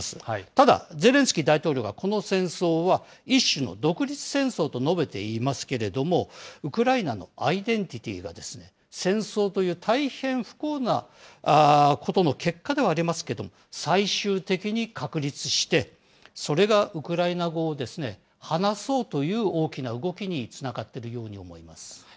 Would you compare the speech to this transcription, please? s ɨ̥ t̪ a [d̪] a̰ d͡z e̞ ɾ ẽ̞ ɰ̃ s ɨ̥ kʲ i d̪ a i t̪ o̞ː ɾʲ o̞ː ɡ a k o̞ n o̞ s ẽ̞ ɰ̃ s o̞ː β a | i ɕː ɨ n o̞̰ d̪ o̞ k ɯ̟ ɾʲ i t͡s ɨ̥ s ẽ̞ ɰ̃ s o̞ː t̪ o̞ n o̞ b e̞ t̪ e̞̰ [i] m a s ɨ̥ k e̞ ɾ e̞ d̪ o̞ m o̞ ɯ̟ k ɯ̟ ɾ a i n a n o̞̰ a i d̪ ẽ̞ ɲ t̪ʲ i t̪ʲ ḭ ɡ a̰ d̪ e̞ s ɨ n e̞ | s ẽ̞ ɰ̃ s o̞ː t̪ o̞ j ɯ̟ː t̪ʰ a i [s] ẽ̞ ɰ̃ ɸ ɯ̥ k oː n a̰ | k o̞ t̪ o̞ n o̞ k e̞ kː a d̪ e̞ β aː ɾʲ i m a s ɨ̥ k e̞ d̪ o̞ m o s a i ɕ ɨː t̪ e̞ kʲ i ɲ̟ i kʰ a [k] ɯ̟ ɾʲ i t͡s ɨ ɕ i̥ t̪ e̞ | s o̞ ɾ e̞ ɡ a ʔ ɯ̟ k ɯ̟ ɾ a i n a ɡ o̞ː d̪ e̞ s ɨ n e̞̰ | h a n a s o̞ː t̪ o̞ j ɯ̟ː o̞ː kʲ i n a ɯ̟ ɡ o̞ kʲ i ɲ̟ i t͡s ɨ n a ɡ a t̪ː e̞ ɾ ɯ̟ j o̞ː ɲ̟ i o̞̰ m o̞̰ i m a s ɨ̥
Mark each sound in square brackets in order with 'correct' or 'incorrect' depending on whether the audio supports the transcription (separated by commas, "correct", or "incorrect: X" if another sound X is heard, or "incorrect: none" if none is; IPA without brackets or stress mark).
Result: correct, correct, incorrect: h, correct